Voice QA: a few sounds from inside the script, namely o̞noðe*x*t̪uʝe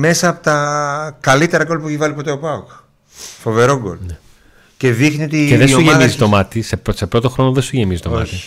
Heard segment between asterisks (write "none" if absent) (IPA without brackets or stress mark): s